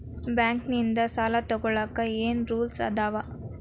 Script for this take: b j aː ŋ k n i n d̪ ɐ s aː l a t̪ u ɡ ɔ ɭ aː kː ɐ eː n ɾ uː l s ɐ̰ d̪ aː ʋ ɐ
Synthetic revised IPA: b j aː ŋ k n i n d̪ ɐ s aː l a t̪ ɔ ɡ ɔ ɭ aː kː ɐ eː n ɾ uː l s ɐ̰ d̪ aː ʋ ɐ